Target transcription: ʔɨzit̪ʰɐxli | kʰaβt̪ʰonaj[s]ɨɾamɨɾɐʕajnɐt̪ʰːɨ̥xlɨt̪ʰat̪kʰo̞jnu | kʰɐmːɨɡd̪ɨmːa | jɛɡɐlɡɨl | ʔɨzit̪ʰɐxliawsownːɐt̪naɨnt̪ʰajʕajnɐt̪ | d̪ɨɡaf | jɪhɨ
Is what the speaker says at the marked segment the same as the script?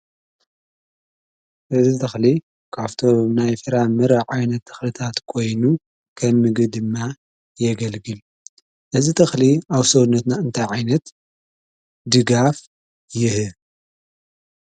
no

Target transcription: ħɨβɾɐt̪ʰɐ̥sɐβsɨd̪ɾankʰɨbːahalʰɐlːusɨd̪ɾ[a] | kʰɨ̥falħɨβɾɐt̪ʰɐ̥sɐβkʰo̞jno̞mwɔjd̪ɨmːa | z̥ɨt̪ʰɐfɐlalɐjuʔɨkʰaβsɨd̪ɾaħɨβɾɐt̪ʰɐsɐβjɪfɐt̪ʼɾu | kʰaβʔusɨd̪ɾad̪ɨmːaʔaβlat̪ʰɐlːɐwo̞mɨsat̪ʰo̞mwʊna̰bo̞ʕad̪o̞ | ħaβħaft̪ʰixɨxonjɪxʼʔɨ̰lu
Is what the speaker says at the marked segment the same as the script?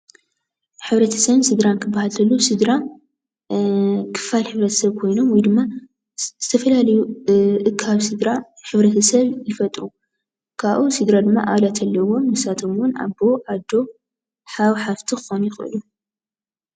yes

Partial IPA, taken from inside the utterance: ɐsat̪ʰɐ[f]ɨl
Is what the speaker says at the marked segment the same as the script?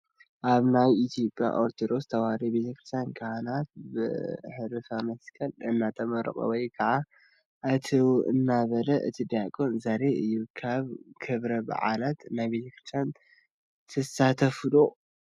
yes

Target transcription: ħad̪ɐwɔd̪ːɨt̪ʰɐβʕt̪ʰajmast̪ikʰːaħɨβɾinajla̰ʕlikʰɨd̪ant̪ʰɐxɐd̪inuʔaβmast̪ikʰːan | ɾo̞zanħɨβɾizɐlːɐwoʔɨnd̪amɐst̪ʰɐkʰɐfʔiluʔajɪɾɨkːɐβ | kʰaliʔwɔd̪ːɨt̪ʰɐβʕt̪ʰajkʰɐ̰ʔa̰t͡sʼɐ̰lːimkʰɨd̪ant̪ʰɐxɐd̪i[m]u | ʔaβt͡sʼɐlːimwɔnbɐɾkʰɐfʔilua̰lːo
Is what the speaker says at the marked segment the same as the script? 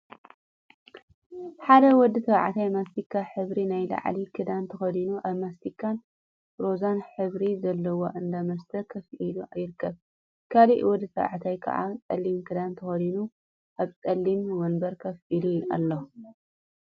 no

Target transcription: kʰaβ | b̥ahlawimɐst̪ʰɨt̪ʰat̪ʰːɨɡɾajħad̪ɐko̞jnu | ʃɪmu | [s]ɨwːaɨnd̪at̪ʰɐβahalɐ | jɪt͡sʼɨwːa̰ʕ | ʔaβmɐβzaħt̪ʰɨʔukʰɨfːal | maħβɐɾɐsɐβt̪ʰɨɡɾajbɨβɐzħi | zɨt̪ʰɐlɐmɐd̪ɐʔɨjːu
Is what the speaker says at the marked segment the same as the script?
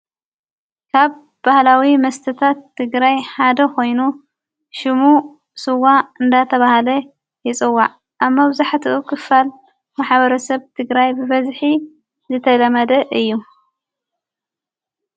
yes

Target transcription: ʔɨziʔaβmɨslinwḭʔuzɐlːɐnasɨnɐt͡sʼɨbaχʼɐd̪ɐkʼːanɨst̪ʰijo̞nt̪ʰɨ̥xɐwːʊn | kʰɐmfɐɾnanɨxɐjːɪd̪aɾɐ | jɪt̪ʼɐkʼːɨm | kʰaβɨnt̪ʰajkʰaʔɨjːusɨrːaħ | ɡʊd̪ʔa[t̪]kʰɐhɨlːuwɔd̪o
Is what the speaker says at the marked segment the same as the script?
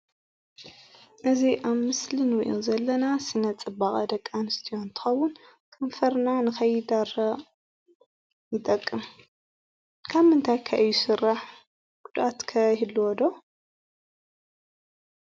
yes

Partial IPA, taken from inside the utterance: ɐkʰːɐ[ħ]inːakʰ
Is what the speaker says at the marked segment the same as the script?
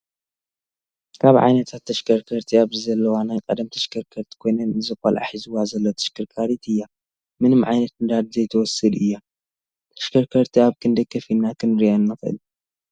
no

